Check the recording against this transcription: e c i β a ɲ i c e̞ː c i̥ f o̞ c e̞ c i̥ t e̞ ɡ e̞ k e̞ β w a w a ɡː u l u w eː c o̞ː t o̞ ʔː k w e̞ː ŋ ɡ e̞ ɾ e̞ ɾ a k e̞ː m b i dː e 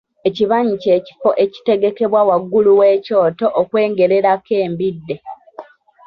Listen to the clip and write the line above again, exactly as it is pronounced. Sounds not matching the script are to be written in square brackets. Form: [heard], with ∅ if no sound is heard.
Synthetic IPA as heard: e c i β a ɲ i c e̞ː c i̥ f o̞ [ʔ] e̞ c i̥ t e̞ ɡ e̞ k e̞ β w a w a ɡː u l u w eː c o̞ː t o̞ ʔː k w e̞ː ŋ ɡ e̞ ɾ e̞ ɾ a k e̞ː m b i dː e